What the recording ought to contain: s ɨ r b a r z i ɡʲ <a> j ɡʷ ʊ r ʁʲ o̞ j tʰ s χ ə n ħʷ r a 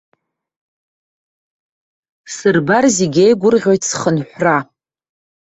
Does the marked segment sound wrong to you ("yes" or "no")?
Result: yes